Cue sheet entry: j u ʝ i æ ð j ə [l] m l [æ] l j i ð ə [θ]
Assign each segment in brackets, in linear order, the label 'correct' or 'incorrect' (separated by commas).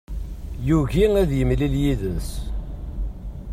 incorrect, incorrect, incorrect